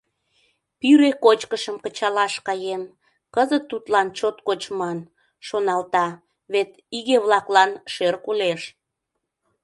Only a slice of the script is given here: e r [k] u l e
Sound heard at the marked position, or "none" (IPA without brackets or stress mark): k